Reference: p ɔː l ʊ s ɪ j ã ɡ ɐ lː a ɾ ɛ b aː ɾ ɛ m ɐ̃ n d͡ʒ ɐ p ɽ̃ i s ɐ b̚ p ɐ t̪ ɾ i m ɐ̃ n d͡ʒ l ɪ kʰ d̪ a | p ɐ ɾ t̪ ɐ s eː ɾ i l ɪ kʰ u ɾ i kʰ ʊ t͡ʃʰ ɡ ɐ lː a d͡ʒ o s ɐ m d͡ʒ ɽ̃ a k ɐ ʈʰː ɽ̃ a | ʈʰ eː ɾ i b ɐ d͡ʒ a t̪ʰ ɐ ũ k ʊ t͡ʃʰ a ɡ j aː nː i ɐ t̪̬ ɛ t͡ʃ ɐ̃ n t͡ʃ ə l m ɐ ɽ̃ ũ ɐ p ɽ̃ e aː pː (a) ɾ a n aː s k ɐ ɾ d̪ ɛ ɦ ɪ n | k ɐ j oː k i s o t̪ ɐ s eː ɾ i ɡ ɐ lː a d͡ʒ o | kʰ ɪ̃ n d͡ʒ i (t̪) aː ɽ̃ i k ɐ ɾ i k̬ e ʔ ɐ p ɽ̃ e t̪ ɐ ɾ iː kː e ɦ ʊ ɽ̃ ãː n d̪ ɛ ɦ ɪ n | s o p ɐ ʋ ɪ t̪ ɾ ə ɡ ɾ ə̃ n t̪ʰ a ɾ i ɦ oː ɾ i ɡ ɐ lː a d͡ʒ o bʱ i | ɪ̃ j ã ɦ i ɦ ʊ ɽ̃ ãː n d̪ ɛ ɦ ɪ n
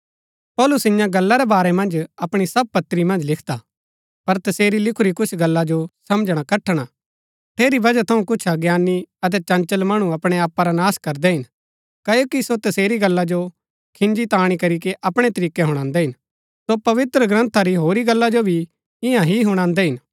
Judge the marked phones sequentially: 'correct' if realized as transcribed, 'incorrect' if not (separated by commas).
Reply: correct, correct